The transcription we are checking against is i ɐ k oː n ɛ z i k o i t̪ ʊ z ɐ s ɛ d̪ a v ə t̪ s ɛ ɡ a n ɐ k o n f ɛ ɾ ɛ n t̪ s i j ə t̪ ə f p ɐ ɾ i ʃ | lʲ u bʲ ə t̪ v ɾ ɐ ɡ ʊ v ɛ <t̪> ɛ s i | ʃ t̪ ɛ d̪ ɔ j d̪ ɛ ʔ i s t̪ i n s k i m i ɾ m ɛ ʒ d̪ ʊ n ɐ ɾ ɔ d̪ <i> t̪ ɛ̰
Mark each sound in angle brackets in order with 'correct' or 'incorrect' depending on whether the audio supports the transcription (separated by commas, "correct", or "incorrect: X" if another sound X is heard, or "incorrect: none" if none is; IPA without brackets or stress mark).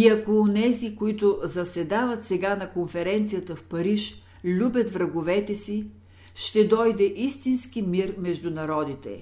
correct, correct